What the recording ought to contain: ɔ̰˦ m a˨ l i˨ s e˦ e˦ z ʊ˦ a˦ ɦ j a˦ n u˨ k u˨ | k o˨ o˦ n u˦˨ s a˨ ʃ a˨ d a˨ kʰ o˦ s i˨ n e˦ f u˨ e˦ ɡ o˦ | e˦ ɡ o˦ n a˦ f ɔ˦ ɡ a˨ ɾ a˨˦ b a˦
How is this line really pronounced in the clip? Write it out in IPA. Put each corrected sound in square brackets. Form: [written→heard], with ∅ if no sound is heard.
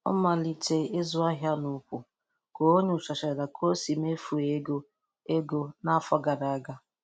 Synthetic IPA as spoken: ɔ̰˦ m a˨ l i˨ [s→t] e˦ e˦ z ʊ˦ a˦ ɦ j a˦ n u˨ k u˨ | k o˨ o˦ [n→ɲ] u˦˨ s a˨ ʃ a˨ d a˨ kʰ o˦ s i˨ [n→m] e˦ f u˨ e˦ ɡ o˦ | e˦ ɡ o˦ n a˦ f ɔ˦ ɡ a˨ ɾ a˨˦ [b→ɡ] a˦